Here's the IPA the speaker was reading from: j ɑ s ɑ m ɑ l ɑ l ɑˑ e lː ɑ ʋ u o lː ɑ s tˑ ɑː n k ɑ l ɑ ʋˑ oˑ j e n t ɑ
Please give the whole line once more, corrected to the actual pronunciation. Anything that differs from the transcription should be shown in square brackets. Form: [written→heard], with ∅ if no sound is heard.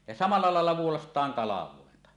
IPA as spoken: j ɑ s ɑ m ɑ [l→lː] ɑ l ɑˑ e lː ɑ ʋ u o [lː→l] ɑ s tˑ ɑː [n→ŋ] k ɑ l ɑ ʋˑ oˑ [j→∅] e n t ɑ